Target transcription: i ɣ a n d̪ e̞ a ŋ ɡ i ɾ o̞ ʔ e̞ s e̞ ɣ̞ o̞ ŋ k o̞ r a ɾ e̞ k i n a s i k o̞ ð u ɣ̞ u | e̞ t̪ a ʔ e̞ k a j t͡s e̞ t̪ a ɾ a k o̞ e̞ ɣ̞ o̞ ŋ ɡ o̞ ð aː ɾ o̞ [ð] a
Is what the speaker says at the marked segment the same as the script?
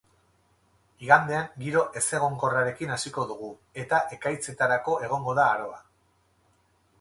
no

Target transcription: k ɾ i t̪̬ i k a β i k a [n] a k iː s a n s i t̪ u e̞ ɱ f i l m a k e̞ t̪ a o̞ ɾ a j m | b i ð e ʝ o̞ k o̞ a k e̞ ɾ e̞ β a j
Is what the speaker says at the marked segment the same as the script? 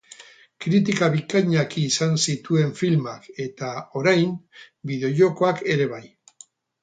no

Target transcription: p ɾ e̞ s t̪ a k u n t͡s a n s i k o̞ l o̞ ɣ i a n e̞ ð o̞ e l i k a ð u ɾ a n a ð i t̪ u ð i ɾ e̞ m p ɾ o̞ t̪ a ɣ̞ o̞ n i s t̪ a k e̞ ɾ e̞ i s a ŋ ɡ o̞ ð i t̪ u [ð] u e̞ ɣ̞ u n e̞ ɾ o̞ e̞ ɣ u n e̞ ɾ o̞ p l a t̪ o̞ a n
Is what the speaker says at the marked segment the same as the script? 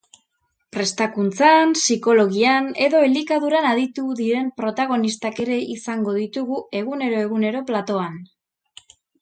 no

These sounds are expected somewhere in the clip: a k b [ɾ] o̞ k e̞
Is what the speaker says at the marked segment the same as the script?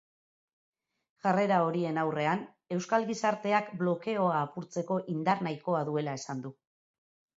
no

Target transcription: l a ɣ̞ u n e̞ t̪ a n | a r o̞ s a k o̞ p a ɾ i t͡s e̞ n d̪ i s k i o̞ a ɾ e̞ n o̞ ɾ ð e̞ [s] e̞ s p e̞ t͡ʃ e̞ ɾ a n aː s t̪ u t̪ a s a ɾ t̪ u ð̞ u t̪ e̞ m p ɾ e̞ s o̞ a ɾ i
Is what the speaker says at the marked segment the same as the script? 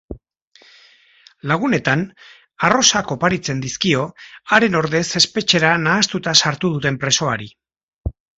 yes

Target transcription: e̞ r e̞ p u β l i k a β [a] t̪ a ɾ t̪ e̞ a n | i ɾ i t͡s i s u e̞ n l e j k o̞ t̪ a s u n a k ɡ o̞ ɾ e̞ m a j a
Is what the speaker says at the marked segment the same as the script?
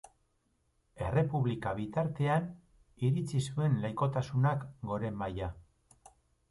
no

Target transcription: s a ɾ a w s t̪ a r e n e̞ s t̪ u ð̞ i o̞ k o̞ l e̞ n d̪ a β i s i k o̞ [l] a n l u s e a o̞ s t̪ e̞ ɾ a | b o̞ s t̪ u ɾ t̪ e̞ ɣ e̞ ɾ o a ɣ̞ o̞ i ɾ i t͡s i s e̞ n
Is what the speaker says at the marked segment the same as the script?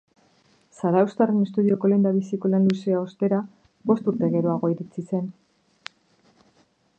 yes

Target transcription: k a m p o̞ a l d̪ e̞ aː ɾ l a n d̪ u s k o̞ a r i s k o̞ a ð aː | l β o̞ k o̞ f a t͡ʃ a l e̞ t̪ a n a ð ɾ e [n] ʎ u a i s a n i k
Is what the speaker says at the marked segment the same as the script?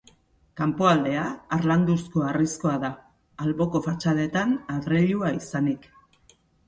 no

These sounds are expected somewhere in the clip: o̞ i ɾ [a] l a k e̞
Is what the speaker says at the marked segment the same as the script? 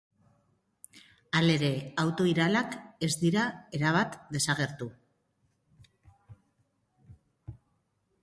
yes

